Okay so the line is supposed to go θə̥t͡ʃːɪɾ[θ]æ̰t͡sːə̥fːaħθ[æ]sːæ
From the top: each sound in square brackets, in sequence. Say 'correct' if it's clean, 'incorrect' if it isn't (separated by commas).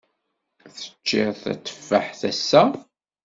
correct, correct